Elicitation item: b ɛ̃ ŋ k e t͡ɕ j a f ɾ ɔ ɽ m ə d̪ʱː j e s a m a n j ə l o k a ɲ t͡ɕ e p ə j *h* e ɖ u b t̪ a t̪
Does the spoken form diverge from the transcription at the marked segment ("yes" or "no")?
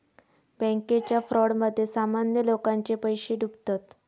yes